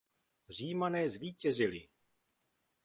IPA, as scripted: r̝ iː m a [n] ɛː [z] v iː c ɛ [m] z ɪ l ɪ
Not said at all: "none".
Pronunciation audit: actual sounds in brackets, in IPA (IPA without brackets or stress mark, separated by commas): n, z, none